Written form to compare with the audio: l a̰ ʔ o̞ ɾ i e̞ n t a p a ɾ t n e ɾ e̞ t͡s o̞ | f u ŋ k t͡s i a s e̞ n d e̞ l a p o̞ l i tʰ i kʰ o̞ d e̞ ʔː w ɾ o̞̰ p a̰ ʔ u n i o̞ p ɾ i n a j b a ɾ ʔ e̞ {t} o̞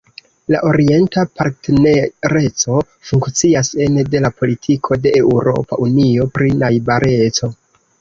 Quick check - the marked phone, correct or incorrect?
incorrect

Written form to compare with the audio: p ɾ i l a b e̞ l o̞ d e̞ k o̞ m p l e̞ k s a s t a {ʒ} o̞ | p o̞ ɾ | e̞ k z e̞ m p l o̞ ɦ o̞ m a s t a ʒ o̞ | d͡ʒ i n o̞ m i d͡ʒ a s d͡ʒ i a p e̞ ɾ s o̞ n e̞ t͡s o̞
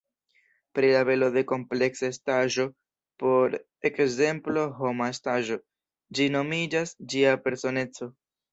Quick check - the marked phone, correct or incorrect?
correct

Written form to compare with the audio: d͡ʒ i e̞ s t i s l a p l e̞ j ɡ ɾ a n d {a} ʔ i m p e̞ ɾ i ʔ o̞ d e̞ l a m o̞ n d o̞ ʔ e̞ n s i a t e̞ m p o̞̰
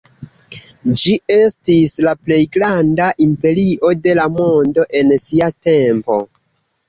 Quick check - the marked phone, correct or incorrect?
correct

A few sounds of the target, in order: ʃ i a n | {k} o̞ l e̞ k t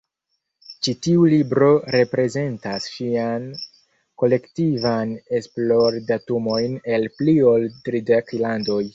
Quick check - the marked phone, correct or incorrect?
correct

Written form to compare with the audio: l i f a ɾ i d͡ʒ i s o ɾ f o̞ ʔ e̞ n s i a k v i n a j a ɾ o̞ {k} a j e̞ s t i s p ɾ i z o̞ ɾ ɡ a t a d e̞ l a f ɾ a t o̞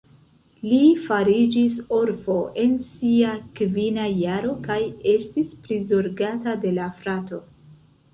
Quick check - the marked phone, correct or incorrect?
correct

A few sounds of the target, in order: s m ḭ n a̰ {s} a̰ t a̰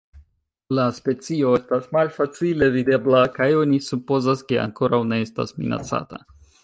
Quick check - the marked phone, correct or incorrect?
incorrect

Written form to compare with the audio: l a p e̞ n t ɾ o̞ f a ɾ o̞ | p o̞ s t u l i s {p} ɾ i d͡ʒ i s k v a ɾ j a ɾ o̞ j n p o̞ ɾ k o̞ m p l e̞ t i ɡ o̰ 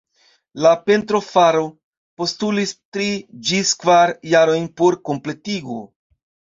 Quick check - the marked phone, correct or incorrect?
incorrect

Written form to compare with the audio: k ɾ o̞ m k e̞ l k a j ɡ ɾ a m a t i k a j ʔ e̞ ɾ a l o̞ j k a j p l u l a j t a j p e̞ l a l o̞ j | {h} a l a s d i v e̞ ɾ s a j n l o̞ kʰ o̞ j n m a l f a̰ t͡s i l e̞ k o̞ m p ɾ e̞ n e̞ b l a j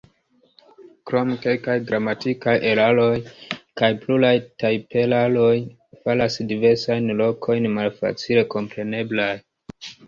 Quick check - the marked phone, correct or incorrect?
incorrect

